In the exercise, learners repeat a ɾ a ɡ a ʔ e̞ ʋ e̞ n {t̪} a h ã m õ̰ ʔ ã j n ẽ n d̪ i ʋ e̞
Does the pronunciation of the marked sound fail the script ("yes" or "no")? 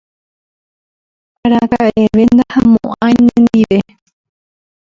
yes